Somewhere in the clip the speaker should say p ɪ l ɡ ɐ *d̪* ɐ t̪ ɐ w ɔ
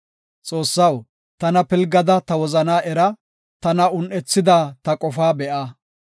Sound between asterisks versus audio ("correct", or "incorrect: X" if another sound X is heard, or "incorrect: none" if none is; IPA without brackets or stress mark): correct